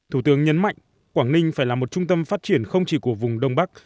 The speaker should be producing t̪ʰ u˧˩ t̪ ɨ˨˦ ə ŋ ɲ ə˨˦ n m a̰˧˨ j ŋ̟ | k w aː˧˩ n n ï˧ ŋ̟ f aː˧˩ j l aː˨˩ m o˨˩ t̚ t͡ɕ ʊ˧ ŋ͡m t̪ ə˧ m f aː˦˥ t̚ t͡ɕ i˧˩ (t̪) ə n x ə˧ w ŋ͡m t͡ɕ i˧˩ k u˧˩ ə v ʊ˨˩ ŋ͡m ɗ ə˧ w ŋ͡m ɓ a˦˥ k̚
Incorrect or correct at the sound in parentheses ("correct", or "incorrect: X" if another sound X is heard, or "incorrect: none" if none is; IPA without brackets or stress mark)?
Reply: incorrect: none